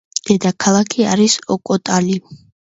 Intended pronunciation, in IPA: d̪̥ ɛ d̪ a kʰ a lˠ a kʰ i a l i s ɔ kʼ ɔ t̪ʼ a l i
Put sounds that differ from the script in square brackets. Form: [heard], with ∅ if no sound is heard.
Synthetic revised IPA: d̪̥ ɛ d̪ a kʰ a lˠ a kʰ i a [ɾ] i s ɔ kʼ ɔ t̪ʼ a l i

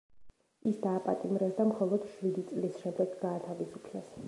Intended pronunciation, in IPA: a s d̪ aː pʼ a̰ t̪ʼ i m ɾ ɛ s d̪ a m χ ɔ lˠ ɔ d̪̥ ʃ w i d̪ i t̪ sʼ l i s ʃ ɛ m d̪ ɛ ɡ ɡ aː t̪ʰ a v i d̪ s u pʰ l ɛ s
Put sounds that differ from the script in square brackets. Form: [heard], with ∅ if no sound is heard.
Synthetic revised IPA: [i] s d̪ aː pʼ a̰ t̪ʼ i m ɾ ɛ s d̪ a m χ ɔ lˠ ɔ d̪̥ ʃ w i d̪ i t̪ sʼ l i s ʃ ɛ m d̪ ɛ ɡ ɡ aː t̪ʰ a v i [∅] s u pʰ l ɛ s

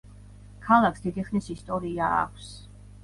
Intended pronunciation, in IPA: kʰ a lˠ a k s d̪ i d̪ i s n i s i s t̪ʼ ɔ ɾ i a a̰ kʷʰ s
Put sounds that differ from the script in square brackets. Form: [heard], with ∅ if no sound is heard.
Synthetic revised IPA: kʰ a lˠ a k s d̪ i d̪ i [χ] n i s i s t̪ʼ ɔ ɾ i a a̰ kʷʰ s

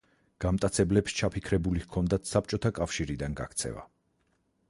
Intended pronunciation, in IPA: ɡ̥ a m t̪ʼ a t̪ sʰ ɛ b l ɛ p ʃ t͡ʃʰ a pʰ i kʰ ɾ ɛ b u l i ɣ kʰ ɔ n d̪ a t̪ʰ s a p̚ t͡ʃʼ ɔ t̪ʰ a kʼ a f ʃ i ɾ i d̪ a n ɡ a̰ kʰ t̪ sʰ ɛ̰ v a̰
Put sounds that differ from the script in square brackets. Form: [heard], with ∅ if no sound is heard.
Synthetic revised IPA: ɡ̥ a m t̪ʼ a t̪ sʰ ɛ b l ɛ p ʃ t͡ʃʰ a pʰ i kʰ ɾ ɛ b u l i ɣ kʰ ɔ n d̪ a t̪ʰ s a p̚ t͡ʃʼ ɔ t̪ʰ a kʼ a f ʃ i ɾ i d̪ a n ɡ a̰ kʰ t̪ sʰ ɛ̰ v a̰

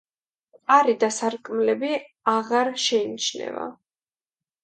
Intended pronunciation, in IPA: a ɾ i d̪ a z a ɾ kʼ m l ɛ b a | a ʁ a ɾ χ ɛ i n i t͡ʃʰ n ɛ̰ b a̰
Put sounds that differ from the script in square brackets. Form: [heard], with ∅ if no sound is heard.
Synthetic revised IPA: a ɾ i d̪ a [s] a ɾ kʼ m l ɛ b [i] | a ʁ a ɾ [ʃ] ɛ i n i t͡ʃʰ n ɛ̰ [v] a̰

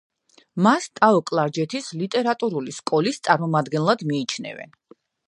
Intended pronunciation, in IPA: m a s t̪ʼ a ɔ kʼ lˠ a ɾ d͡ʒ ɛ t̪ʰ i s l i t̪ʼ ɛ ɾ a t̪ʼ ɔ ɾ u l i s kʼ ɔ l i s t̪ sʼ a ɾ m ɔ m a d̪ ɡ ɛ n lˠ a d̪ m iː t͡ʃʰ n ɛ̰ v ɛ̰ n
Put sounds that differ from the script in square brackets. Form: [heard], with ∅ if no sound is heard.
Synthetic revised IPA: m a s t̪ʼ a ɔ kʼ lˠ a ɾ d͡ʒ ɛ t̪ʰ i s l i t̪ʼ ɛ ɾ a t̪ʼ [u] ɾ u l i s kʼ ɔ l i s t̪ sʼ a ɾ m ɔ m a d̪ ɡ ɛ n lˠ a d̪ m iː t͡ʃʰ n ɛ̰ v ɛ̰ n

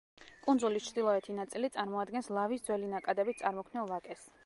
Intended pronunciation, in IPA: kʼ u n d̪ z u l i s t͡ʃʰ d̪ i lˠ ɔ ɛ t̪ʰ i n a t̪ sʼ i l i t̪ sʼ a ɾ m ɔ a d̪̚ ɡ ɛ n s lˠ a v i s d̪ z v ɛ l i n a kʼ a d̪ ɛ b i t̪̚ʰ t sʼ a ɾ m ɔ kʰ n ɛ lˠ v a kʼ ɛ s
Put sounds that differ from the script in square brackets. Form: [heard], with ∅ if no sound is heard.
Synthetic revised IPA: kʼ u n d̪ z u l i s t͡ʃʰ d̪ i lˠ ɔ ɛ t̪ʰ i n a t̪ sʼ i l i t̪ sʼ a ɾ m ɔ a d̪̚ ɡ ɛ n s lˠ a v i s d̪ z [w] ɛ l i n a kʼ a d̪ ɛ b i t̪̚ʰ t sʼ a ɾ m ɔ kʰ n ɛ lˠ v a kʼ ɛ s

